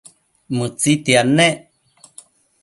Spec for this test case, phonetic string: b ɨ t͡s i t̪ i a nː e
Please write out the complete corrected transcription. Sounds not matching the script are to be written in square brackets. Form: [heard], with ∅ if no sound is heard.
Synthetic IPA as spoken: [m] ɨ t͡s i t̪ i a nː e

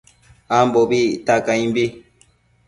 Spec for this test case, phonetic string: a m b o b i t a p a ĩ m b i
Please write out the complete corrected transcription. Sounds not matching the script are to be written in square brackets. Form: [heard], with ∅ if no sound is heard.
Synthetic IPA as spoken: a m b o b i t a [k] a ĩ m b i

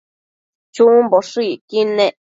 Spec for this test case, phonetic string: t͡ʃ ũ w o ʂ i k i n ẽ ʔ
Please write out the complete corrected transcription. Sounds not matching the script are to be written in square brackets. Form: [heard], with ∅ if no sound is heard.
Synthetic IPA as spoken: t͡ʃ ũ [b] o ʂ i k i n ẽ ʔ

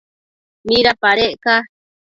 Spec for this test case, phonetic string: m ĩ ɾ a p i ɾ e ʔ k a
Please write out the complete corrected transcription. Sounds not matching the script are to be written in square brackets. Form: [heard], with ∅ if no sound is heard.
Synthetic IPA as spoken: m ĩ ɾ a p [a] ɾ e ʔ k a

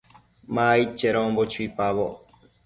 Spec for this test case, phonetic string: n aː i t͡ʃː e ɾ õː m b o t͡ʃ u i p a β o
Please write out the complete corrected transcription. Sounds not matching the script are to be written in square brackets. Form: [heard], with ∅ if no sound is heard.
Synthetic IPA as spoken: [m] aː i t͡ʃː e ɾ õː m b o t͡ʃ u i p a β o

